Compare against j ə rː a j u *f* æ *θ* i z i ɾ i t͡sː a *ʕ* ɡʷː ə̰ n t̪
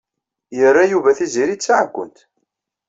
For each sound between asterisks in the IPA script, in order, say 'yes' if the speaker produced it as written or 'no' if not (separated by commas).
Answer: no, yes, yes